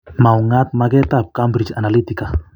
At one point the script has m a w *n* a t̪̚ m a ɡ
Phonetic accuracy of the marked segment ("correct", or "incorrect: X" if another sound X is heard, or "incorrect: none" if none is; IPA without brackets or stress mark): incorrect: ŋ